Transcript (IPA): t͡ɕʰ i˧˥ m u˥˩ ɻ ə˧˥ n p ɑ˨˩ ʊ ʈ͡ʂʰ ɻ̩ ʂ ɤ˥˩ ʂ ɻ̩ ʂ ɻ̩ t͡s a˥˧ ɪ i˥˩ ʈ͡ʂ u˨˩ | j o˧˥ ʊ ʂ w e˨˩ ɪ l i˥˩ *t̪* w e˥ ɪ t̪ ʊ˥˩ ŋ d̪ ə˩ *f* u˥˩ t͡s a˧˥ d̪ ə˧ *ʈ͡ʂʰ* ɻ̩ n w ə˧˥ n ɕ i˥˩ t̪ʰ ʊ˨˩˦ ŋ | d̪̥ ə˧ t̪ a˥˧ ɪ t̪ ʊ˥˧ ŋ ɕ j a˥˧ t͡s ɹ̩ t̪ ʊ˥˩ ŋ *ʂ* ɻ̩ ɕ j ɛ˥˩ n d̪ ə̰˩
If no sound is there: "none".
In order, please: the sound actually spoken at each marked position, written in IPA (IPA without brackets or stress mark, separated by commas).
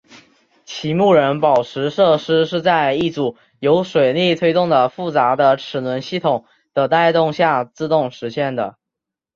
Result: t̪ʰ, f, ʈ͡ʂʰ, ʂ